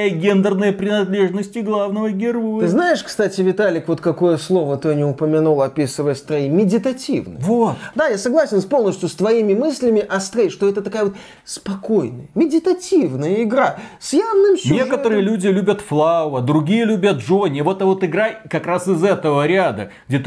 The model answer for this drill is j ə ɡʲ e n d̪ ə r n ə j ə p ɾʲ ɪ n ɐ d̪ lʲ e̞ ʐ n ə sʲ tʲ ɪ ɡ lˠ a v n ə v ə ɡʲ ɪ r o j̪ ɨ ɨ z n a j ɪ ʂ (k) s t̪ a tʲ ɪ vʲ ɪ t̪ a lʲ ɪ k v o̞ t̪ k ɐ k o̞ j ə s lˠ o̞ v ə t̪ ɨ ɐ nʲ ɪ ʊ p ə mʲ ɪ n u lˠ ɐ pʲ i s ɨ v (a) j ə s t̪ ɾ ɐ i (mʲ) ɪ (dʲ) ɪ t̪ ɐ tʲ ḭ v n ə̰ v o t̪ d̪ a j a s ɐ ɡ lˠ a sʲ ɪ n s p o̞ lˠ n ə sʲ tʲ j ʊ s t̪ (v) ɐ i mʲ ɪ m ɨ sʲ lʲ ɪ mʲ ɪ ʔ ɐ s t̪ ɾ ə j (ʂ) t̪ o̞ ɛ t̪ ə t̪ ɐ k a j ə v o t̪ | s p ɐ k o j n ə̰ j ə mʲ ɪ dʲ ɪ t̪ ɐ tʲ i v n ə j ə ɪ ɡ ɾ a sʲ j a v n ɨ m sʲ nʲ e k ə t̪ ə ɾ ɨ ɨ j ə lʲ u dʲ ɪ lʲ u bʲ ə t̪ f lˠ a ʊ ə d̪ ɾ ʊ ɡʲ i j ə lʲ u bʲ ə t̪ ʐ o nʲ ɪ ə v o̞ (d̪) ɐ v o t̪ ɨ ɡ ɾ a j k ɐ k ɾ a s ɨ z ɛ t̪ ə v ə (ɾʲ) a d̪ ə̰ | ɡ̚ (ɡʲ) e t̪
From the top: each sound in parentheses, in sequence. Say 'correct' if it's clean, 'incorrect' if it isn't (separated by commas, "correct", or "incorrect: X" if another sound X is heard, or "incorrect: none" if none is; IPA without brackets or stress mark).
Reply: correct, incorrect: ə, correct, correct, correct, correct, incorrect: t̪, correct, incorrect: dʲ